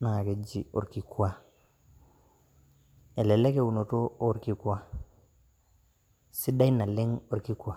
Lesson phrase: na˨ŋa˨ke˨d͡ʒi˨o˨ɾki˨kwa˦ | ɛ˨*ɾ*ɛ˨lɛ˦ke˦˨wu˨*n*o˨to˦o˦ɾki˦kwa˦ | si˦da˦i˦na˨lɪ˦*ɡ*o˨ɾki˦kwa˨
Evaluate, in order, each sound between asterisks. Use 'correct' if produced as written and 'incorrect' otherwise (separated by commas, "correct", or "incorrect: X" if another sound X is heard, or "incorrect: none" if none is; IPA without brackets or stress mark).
incorrect: l, correct, incorrect: ŋ